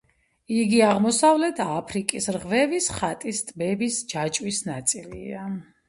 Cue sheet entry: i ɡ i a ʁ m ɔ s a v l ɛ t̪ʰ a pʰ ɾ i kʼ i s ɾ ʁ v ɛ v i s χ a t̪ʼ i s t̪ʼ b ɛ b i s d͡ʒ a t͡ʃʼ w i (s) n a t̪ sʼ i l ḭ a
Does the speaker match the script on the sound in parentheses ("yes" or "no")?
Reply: yes